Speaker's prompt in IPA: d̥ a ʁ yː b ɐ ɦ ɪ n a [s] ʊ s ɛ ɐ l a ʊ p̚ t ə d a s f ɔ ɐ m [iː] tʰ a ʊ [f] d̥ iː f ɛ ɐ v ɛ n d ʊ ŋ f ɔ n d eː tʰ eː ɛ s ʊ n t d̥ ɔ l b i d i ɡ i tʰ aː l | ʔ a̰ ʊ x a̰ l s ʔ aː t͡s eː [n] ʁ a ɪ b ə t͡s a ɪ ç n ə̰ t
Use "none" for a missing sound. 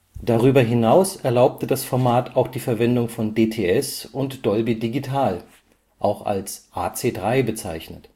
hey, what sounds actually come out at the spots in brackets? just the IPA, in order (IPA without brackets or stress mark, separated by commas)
none, aː, x, d